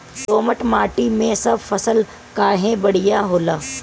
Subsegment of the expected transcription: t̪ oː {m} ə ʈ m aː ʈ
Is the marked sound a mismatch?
no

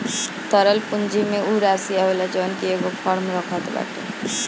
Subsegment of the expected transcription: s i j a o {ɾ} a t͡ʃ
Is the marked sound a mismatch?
yes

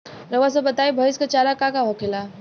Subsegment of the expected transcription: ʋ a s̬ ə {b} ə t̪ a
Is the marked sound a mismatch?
no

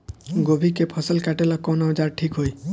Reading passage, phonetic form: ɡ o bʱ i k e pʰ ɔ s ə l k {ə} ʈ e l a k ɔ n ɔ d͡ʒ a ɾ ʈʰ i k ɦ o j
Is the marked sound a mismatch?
yes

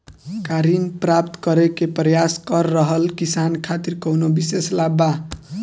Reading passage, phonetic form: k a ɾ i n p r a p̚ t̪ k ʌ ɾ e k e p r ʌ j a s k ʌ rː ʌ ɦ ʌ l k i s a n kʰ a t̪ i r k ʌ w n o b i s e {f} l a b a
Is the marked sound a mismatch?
yes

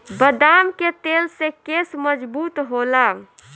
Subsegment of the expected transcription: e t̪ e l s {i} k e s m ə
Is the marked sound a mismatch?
yes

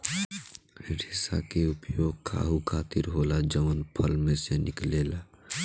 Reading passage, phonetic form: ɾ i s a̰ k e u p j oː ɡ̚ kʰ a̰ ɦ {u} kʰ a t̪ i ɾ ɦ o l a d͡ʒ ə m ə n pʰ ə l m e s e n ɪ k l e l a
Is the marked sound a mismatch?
no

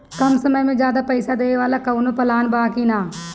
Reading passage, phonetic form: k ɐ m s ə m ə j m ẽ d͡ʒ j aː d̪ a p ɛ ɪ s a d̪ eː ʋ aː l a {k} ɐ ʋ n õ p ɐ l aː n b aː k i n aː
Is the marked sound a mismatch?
no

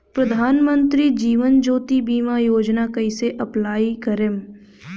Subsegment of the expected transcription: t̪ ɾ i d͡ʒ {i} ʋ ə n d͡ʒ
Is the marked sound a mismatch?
yes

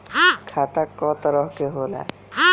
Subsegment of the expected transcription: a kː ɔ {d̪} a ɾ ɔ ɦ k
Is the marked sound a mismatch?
yes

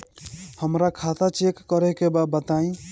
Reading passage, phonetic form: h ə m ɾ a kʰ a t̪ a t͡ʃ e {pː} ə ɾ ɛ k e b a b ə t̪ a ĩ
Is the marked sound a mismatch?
yes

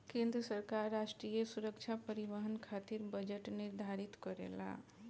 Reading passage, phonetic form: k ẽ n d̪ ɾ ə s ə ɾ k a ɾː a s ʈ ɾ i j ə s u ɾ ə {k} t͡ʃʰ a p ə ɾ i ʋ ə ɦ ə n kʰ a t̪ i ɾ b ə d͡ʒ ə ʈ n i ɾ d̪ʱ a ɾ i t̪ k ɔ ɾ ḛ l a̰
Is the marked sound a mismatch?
no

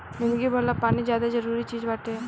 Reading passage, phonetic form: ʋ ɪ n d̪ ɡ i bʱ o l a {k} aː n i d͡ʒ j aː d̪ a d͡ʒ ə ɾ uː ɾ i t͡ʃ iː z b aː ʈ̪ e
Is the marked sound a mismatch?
yes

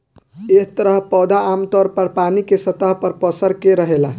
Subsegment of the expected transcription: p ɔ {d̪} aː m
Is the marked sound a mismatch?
no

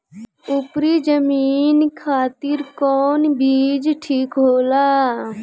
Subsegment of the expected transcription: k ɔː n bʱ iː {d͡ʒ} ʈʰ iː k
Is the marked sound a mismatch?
no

